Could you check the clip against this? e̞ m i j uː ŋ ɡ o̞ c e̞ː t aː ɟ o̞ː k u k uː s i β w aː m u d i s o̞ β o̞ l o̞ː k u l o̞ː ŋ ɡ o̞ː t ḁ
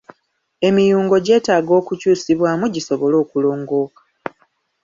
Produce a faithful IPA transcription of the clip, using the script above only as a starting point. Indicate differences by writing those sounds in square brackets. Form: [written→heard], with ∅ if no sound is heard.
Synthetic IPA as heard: e̞ m i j uː ŋ ɡ o̞ [c→ɟ] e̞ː t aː [ɟ→ɡ] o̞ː k u [k→c] uː s i β w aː m u [d→ɟ] i s o̞ β o̞ l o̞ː k u l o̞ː ŋ ɡ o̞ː [t→k] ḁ